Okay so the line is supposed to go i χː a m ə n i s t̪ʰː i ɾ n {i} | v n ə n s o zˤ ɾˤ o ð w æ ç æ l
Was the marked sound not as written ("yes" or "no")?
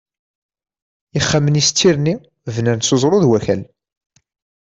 no